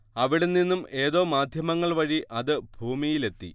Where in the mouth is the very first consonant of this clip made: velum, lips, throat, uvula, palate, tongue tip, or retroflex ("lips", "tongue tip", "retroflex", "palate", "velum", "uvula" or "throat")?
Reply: lips